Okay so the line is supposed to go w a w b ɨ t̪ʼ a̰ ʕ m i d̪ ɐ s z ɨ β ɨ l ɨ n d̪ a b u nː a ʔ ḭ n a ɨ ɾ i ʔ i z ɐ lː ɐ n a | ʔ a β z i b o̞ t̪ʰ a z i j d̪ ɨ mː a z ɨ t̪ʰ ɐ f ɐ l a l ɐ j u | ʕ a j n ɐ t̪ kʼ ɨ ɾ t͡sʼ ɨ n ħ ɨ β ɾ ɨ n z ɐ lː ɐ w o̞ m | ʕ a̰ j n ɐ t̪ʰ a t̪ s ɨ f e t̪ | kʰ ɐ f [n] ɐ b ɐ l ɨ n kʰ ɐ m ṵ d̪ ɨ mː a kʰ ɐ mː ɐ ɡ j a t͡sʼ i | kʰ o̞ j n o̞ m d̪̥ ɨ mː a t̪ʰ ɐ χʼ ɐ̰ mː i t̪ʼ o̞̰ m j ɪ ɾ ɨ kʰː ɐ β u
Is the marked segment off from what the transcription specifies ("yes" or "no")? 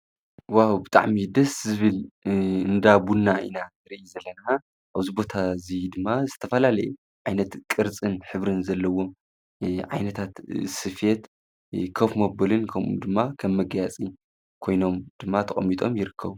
yes